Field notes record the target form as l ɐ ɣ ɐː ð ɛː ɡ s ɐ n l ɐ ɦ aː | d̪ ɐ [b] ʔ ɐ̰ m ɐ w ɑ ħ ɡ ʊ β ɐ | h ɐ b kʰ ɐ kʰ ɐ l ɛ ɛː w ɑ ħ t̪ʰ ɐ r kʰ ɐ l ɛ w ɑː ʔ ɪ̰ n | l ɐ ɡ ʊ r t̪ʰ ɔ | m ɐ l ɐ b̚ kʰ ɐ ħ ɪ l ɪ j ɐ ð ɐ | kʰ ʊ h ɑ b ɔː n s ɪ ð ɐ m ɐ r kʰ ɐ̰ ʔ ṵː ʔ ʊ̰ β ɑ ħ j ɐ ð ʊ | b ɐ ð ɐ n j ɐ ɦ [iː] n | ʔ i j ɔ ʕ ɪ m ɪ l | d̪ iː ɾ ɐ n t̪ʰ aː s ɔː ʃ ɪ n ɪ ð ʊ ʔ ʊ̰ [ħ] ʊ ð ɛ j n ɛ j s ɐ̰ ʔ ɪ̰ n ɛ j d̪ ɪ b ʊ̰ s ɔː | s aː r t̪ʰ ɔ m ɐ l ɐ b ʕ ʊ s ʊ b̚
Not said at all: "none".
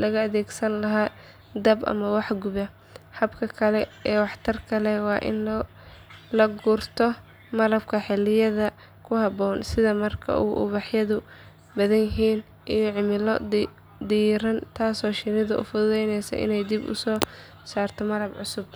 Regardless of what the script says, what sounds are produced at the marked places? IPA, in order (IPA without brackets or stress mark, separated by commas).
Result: b, iː, f